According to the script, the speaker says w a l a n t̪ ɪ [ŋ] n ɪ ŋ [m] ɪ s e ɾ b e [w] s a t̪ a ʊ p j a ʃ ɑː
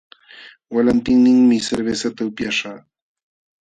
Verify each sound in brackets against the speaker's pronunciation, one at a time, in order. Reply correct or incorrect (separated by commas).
correct, correct, incorrect